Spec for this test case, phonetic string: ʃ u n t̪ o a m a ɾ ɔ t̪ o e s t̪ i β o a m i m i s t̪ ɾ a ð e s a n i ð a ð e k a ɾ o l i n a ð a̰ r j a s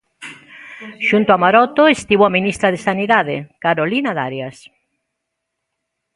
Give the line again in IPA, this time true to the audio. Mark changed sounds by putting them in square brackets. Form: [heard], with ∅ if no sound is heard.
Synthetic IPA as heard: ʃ u n t̪ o a m a ɾ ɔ t̪ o e s t̪ i β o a m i [n] i s t̪ ɾ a ð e s a n i ð a ð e k a ɾ o l i n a ð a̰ [ɾ] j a s